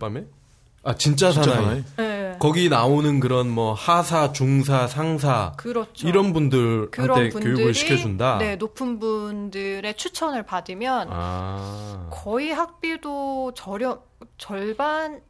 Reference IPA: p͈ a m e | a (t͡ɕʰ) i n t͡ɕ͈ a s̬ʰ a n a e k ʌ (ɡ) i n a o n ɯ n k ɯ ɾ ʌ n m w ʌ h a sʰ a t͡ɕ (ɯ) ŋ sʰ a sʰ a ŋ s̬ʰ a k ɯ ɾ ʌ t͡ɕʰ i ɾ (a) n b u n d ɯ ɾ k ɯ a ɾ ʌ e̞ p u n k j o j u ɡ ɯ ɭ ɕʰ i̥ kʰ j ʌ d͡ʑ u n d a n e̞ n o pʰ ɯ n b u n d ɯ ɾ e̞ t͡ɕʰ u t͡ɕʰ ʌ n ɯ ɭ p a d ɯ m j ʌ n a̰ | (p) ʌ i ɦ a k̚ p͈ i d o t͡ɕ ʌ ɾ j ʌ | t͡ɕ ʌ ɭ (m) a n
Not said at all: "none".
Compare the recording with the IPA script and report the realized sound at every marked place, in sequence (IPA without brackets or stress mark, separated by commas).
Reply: t͡ɕ, ɡ, u, ʌ, k, b